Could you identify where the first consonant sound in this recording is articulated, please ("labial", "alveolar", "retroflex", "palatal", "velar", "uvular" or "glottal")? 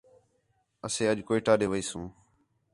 alveolar